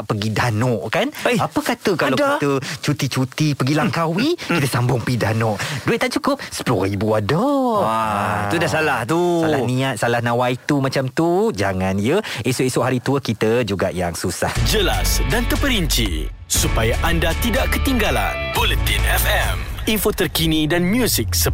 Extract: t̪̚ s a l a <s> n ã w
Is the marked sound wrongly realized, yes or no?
yes